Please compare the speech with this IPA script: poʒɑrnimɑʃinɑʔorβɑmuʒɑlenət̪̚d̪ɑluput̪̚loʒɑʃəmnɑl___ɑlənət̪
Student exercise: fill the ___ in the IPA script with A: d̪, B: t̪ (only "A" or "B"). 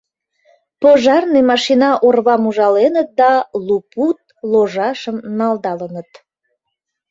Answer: A